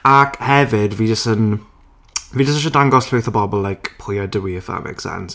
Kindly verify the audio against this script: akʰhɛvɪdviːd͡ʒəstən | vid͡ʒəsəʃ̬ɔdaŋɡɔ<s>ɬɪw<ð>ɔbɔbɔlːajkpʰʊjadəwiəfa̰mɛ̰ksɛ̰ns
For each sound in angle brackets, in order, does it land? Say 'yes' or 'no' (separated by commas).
yes, no